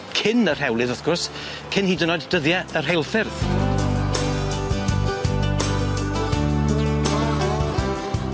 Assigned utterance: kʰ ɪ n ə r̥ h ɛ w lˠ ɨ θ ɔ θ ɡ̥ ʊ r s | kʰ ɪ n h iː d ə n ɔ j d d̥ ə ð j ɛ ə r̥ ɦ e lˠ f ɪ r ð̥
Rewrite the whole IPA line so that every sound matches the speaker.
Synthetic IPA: kʰ ɪ n ə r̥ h ɛ w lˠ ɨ ð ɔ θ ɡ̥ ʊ r s | kʰ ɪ n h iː d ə n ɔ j d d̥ ə ð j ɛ ə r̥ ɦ e lˠ f ɪ r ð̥